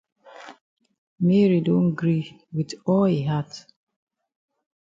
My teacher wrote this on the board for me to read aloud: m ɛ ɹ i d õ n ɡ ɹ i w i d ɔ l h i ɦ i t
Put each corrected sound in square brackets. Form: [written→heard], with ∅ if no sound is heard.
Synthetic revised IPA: m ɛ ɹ i d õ n ɡ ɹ i w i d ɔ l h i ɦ [i→a] t